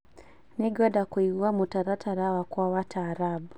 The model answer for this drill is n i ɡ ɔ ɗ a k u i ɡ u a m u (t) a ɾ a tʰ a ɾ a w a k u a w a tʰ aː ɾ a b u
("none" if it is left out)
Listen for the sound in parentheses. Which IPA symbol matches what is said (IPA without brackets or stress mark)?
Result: t